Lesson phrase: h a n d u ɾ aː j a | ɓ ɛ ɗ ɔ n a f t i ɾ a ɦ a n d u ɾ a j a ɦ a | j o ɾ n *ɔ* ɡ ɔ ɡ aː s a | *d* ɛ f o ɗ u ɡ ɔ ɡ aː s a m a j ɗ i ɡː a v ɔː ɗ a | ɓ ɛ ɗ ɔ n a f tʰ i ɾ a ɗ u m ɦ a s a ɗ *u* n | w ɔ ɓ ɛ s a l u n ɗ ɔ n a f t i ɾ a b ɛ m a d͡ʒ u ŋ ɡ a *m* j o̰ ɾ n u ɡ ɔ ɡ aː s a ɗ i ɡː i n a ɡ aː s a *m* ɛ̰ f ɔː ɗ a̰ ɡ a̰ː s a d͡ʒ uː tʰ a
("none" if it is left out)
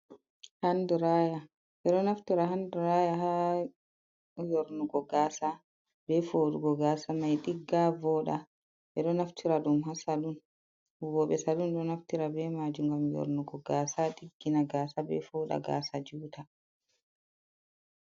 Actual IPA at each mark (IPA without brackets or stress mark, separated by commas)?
u, b, u, m, b